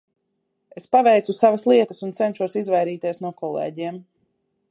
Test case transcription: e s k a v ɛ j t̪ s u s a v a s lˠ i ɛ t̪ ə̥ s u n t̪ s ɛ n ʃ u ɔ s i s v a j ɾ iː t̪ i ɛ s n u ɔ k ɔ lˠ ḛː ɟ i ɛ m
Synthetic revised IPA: e s p a v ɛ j t̪ s u s a v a s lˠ i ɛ t̪ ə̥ s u n t̪ s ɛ n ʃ u ɔ s i z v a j ɾ iː t̪ i ɛ s n u ɔ k ɔ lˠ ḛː ɟ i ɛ m